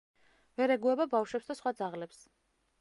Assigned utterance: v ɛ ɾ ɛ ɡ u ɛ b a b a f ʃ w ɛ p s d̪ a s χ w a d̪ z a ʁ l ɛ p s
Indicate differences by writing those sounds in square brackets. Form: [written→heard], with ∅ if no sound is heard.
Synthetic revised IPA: v ɛ ɾ ɛ ɡ u ɛ b a b a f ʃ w ɛ p s d̪ a s χ w a d̪ z a ʁ l ɛ p s